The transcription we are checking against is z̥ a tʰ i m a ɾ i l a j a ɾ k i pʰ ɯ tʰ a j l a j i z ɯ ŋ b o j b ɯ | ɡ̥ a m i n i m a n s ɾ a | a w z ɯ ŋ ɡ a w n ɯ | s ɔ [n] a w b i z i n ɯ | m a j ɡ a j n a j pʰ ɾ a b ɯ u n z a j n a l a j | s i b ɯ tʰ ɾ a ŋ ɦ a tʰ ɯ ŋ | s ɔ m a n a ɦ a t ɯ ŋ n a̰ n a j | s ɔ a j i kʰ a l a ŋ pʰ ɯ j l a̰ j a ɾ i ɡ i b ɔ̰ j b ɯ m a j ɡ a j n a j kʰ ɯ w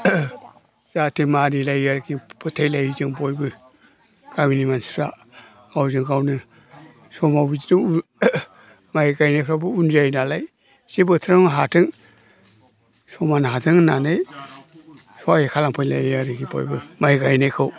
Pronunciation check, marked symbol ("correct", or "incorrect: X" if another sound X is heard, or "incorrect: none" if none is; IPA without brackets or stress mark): incorrect: m